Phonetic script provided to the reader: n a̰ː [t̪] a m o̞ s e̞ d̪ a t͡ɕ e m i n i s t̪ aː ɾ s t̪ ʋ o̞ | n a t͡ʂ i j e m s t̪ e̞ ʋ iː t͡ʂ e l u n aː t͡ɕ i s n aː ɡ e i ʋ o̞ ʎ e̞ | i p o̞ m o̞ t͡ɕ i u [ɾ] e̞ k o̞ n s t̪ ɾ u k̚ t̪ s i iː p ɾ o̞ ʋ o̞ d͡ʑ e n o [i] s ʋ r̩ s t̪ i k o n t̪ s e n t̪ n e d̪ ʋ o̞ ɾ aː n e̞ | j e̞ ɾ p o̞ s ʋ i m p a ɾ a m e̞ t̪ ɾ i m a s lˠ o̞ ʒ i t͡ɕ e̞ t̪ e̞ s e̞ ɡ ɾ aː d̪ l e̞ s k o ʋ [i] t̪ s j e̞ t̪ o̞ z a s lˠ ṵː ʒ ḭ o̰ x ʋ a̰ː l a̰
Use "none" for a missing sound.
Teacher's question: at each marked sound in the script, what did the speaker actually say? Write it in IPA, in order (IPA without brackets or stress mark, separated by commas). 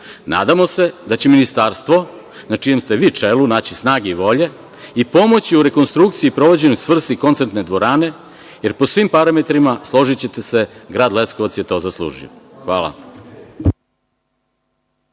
d̪, ɾ, j, a